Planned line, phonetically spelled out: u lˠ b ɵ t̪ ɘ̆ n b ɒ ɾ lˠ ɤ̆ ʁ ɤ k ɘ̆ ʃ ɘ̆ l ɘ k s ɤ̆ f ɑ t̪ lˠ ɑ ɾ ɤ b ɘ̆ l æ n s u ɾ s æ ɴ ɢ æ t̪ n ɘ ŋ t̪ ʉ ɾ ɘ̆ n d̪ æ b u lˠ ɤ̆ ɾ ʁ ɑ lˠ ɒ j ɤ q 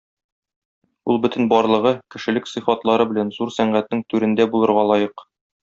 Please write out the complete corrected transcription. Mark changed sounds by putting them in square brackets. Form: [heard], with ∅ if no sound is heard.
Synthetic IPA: u lˠ b ɵ t̪ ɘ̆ n b ɒ ɾ lˠ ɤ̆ ʁ ɤ k ɘ̆ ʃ ɘ̆ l ɘ k s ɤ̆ f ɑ t̪ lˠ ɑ ɾ ɤ b ɘ̆ l æ n [z] u ɾ s æ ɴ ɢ æ t̪ n ɘ ŋ t̪ ʉ ɾ ɘ̆ n d̪ æ b u lˠ ɤ̆ ɾ ʁ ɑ lˠ ɒ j ɤ q